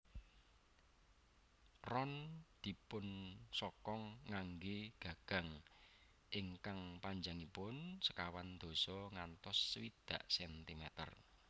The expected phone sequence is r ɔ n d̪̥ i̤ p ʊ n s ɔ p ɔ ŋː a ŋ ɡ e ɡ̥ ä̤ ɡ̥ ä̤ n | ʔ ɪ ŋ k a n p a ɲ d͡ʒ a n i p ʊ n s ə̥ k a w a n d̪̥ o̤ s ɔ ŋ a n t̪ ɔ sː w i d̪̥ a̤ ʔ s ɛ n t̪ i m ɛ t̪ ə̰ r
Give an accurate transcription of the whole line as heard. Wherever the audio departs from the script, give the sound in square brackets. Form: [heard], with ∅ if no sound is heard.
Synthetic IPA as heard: r ɔ n d̪̥ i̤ p ʊ n s ɔ [k] ɔ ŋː a ŋ ɡ e ɡ̥ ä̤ ɡ̥ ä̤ [ŋ] | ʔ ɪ ŋ k a [ŋ] p a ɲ d͡ʒ a [ŋ] i p ʊ n s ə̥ k a w a n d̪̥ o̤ s ɔ ŋ a n t̪ ɔ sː w i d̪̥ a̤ ʔ s ɛ n t̪ i m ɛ t̪ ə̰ r

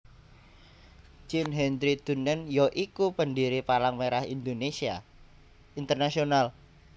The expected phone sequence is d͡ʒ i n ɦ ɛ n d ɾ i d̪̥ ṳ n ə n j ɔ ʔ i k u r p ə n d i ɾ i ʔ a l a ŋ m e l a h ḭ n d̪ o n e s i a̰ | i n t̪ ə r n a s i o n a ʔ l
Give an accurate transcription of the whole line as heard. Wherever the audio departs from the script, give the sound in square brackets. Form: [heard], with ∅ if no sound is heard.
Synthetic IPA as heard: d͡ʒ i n ɦ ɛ n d ɾ i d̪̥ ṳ n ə n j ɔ ʔ i k u [∅] p ə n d i ɾ i [p] a l a ŋ m e [ɾ] a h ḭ n d̪ o n e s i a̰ | i n t̪ ə r n a s i o n a [∅] l

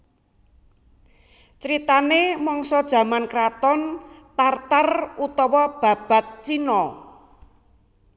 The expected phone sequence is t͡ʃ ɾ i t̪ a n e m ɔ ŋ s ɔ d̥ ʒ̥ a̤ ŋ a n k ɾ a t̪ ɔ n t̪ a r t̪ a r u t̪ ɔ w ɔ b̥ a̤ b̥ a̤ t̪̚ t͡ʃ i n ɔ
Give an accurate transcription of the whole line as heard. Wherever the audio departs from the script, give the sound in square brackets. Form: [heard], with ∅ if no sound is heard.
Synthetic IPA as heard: t͡ʃ ɾ i t̪ a n e m ɔ ŋ s ɔ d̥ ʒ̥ a̤ [m] a n k ɾ a t̪ ɔ n t̪ a r t̪ a r u t̪ ɔ w ɔ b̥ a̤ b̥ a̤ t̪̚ t͡ʃ i n ɔ

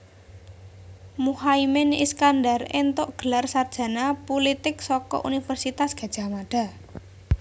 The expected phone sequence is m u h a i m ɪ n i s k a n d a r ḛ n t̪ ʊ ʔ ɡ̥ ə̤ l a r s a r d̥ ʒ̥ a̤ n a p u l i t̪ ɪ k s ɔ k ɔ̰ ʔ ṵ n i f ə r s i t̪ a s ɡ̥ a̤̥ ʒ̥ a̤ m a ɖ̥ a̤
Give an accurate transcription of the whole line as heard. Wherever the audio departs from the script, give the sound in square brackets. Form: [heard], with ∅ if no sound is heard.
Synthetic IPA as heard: m u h a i m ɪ n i s k a n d a r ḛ n t̪ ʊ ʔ ɡ̥ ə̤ l a r s a r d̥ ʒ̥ a̤ n a p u l i t̪ ɪ k s ɔ k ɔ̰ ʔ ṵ n i f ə r s i t̪ a s ɡ̥ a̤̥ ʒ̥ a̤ m a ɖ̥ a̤

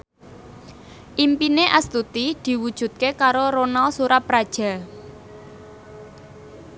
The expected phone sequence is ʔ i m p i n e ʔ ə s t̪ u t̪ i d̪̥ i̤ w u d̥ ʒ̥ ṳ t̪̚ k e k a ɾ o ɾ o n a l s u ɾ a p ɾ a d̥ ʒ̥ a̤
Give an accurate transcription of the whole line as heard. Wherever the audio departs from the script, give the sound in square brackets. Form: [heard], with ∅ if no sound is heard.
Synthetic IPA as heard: ʔ i m p i n e ʔ [a] s t̪ u t̪ i d̪̥ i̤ w u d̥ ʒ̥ ṳ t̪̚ k e k a ɾ o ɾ o n a l s u ɾ a p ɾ a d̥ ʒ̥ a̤

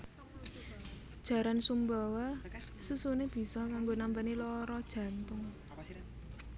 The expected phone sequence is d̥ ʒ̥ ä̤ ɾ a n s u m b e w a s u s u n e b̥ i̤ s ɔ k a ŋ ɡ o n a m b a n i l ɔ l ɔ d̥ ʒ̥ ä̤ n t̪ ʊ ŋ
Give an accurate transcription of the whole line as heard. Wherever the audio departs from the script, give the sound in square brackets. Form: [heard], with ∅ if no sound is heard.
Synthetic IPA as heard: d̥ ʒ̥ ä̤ ɾ a n s u m b [a] w a s u s u n e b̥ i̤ s ɔ k a ŋ ɡ o n a m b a n i l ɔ [ɾ] ɔ d̥ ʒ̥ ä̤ n t̪ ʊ ŋ

